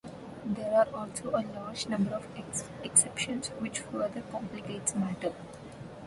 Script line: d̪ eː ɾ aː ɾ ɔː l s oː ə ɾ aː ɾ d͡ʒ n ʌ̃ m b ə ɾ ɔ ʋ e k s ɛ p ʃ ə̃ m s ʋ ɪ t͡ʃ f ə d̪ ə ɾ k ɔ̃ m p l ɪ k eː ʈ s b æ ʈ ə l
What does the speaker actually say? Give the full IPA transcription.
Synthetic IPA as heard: d̪ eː ɾ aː ɾ ɔː l s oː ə l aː ɾ d͡ʒ n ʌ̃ m b ə ɾ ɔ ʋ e k s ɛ p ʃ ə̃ n s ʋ ɪ t͡ʃ f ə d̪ ə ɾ k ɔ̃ m p l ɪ k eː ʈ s m æ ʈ ə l